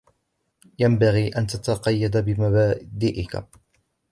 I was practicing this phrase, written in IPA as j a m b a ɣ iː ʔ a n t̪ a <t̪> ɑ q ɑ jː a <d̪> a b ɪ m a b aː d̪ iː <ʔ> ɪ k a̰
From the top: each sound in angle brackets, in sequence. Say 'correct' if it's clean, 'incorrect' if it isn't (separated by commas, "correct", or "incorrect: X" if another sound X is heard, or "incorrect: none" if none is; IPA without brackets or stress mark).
correct, correct, correct